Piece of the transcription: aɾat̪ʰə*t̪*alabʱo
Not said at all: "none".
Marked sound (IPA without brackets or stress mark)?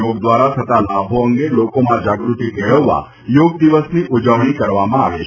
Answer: t̪